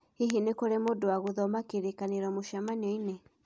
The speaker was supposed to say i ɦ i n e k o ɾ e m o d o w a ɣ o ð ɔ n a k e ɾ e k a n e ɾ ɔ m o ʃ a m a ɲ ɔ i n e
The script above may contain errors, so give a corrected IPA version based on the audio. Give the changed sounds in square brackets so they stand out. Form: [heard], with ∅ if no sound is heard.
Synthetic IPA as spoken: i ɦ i n e k o ɾ e m o d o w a ɣ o ð ɔ [m] a k e ɾ e k a n e ɾ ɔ m o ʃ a m a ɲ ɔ i n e